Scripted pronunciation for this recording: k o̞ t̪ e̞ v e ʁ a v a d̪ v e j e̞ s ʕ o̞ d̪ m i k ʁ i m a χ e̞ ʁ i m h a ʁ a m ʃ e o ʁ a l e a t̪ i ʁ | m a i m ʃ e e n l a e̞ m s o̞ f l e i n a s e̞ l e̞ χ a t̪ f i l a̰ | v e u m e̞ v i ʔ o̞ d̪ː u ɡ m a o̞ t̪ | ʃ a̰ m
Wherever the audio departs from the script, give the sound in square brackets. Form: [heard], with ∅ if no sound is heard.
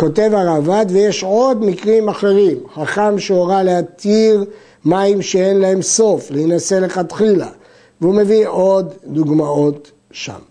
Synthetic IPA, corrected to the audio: k o̞ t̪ e̞ v [a] ʁ a v a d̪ v e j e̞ [ʃ] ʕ o̞ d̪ m i k ʁ i m a χ e̞ ʁ i m [χ] a [χ] a m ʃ e o ʁ a l e a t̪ i ʁ | m a i m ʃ e e n l a e̞ m s o̞ f l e i n a s e̞ l e̞ χ a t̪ [χ] i l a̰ | v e u m e̞ v i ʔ o̞ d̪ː u ɡ m a o̞ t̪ | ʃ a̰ m